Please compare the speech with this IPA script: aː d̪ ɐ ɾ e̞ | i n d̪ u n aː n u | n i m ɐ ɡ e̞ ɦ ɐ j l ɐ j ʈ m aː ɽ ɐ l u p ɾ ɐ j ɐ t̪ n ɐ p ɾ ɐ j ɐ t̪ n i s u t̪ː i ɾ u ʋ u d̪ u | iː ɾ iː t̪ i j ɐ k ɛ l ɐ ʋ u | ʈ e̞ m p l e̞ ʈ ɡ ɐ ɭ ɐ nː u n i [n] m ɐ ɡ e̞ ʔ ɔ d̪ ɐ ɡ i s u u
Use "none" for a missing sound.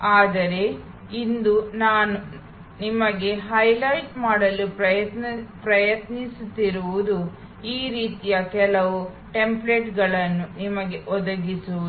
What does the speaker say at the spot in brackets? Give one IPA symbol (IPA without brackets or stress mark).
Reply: none